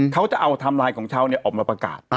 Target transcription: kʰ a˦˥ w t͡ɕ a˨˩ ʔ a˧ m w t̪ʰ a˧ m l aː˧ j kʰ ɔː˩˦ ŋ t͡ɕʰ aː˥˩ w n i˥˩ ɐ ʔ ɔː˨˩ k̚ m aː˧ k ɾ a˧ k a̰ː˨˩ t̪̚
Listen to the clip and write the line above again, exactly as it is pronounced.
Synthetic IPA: kʰ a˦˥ w t͡ɕ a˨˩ ʔ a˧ w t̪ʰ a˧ m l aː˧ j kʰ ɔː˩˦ ŋ t͡ɕʰ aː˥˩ w n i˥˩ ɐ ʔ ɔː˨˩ k̚ m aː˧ p ɾ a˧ k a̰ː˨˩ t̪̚